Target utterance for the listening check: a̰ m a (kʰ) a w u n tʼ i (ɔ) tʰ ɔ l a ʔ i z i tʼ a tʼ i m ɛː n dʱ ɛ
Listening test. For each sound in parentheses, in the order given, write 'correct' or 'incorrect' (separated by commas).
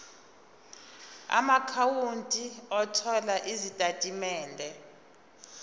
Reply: correct, correct